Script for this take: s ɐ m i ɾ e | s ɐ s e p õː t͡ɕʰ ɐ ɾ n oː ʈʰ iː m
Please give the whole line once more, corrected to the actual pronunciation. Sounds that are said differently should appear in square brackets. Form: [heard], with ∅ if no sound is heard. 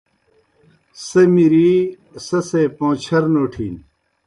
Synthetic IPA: s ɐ m i ɾ [i] | s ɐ s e p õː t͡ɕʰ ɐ ɾ n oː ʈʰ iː [n]